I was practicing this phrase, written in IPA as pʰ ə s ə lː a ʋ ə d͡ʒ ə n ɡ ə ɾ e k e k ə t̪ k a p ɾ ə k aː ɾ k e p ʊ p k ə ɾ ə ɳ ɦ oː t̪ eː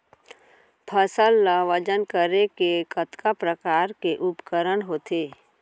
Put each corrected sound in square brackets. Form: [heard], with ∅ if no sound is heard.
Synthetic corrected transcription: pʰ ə s ə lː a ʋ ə d͡ʒ ə n [k] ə ɾ e k e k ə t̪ k a p ɾ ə k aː ɾ k e [ʔ] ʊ p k ə ɾ ə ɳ ɦ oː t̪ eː